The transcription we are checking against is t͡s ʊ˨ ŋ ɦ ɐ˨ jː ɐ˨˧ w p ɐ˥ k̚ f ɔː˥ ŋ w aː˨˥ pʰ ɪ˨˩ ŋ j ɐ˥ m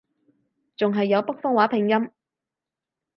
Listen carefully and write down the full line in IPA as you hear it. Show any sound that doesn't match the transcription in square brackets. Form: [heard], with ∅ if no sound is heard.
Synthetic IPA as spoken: t͡s ʊ˨ ŋ ɦ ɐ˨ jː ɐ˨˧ w p ɐ˥ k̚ f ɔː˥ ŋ w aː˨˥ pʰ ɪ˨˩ ŋ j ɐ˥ m